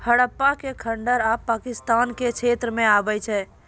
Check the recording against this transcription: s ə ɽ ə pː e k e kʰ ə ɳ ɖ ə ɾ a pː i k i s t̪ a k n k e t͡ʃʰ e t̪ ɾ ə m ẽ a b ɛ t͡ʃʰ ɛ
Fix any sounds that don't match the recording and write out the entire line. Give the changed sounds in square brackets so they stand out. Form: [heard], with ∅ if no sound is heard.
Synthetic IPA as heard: [h] ə ɽ ə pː [a] k e kʰ ə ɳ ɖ ə ɾ a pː [a] k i s t̪ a [∅] n k e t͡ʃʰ e t̪ ɾ ə m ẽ a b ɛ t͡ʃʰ ɛ